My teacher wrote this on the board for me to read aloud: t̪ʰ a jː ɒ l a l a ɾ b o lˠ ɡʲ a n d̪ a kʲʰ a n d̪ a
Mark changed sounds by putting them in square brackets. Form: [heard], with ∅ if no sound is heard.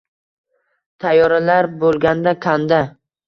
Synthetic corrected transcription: t̪ʰ a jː ɒ [ɾ] a l a ɾ b o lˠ ɡʲ a n d̪ a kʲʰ a n d̪ a